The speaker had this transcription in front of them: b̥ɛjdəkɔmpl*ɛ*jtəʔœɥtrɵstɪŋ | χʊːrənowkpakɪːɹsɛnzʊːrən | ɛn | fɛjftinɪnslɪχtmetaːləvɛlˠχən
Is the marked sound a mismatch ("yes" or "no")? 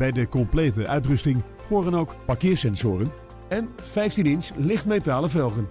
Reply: yes